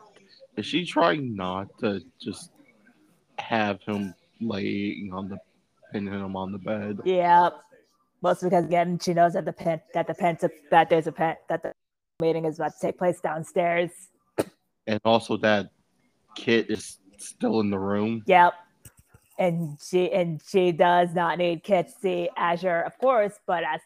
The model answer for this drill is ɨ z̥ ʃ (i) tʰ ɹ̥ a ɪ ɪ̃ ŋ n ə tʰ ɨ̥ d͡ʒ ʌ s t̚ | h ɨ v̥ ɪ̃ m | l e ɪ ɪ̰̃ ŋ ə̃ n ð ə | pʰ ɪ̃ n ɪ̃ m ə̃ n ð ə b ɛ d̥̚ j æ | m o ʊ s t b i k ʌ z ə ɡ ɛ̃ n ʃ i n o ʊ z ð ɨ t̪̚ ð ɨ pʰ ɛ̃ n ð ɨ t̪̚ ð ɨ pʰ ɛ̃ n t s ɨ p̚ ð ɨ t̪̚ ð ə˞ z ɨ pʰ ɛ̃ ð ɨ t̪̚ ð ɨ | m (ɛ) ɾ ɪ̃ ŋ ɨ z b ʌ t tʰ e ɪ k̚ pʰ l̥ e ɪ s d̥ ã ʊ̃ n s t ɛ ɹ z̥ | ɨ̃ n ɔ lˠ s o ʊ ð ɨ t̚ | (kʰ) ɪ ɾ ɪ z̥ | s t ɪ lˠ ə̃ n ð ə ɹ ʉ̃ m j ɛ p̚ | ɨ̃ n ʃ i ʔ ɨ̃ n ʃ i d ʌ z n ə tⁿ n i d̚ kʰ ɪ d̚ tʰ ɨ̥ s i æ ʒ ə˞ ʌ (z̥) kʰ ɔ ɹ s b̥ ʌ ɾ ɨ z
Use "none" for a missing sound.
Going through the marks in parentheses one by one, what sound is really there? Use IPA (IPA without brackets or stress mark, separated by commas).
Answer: i, i, kʰ, v̥